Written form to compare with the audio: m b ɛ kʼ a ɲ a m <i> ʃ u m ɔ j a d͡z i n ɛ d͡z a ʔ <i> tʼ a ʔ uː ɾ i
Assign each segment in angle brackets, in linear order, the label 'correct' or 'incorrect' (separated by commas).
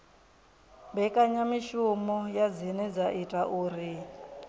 correct, correct